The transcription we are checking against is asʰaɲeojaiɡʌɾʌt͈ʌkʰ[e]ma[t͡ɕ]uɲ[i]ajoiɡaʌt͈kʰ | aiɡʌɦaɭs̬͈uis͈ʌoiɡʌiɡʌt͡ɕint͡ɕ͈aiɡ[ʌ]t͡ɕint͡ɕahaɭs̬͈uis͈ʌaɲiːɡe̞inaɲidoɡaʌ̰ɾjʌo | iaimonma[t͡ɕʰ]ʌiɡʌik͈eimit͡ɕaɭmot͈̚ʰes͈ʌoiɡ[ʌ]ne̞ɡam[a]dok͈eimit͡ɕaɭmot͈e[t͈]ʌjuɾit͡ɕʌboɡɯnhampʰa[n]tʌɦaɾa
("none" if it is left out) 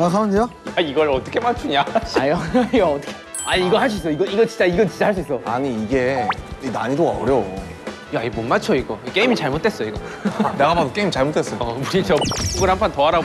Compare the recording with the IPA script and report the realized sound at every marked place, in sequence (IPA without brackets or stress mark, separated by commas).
e, t͡ɕʰ, a, ʌ, t͡ɕʰ, ʌ, a, s͈, n